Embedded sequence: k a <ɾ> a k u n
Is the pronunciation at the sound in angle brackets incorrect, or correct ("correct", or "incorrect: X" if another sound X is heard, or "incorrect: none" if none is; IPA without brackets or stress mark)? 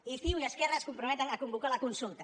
incorrect: l